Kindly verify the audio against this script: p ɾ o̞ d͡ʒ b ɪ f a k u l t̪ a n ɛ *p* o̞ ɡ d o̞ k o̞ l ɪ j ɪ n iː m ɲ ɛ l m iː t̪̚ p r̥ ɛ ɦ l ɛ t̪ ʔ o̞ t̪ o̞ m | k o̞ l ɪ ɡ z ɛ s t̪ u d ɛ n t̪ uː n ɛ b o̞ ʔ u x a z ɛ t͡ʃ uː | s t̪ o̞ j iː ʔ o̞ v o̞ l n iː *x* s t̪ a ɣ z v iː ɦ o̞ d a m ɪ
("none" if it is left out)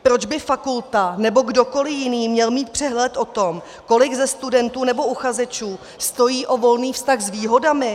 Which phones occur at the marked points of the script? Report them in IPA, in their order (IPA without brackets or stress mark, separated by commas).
b, f